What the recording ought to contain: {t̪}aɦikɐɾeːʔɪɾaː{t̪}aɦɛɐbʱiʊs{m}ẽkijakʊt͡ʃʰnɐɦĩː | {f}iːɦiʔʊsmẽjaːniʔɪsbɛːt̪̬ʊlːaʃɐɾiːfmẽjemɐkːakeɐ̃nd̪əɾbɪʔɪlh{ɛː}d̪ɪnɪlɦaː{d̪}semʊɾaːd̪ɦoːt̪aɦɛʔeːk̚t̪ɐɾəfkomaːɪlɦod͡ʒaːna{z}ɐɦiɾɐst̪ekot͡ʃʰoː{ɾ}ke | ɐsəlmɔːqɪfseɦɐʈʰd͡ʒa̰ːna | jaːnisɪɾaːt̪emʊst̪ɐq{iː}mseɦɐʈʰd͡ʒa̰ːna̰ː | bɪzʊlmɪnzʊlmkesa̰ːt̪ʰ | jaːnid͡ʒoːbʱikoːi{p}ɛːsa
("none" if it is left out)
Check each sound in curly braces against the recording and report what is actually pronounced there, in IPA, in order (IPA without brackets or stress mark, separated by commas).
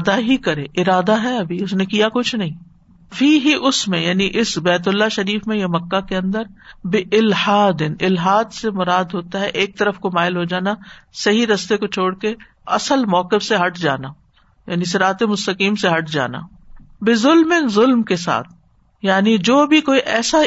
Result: d̪, d̪, n, f, aː, d̪, s, ɽ, iː, ʔ